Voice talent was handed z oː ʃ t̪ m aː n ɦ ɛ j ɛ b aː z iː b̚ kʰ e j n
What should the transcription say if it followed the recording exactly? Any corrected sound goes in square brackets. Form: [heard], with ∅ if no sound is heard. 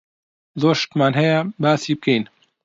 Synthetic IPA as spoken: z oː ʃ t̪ m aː n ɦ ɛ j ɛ b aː [s] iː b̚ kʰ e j n